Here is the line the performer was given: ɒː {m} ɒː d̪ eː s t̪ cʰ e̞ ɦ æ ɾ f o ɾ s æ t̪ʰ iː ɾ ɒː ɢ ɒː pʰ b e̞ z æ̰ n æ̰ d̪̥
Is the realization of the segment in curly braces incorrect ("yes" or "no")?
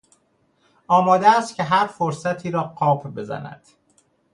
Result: no